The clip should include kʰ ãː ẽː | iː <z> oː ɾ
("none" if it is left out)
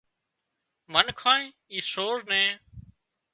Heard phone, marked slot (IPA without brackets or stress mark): s